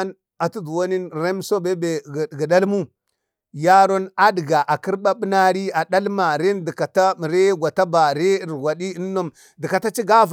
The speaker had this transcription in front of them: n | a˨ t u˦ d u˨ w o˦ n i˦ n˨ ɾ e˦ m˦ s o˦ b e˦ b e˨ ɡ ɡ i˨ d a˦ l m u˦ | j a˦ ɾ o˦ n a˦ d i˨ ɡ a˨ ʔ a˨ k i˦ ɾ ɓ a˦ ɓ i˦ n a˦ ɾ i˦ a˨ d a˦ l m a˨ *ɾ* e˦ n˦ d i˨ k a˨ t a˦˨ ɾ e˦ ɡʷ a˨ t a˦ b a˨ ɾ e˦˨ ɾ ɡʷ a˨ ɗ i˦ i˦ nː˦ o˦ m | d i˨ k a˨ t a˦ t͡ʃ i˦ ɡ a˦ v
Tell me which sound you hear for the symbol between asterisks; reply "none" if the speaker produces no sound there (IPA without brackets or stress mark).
ɾ